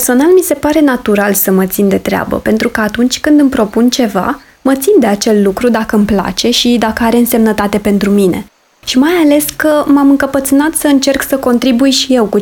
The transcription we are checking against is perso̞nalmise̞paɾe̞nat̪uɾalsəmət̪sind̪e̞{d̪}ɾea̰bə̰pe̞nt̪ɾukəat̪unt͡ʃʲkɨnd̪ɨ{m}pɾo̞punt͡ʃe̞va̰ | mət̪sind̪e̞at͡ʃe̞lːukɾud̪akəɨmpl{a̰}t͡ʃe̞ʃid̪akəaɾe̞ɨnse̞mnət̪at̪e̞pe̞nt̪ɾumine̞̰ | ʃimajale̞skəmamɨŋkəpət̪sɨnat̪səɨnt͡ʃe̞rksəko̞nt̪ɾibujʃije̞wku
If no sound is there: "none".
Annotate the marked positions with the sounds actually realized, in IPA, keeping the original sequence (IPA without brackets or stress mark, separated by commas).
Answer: t̪, m, a̰